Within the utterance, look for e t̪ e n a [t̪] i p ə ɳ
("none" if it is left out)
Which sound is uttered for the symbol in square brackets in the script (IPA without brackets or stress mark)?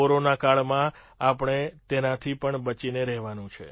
t̪ʰ